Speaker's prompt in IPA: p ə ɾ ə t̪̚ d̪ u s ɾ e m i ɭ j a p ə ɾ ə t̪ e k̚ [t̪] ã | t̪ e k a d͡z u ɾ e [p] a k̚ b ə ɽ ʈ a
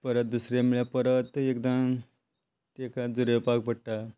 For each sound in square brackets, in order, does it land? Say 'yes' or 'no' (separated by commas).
no, yes